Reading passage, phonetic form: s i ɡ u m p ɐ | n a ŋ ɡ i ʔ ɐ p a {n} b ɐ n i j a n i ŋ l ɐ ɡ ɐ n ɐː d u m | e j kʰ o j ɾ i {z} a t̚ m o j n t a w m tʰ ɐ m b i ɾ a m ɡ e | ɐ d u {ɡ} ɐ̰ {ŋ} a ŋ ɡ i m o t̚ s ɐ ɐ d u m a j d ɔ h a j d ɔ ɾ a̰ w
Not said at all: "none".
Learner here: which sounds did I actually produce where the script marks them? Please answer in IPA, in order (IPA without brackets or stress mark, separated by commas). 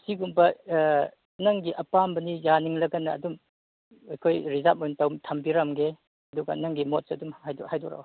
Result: m, z, ɡ, n